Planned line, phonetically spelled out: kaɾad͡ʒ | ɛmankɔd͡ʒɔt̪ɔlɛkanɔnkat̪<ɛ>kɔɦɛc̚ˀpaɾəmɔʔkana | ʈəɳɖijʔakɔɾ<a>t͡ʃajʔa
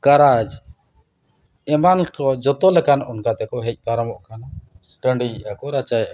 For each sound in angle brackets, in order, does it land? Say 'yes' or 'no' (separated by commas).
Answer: yes, yes